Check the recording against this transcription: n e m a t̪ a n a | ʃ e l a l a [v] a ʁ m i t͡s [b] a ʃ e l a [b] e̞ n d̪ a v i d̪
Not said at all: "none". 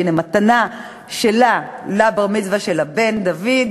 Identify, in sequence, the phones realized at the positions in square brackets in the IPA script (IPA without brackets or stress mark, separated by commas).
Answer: b, v, b